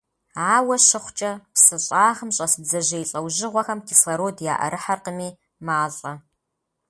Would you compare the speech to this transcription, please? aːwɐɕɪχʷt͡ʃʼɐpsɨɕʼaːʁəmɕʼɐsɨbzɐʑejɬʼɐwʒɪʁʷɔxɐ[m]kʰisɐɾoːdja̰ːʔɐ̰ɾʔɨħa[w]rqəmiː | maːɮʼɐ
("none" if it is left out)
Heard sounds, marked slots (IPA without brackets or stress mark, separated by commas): m, none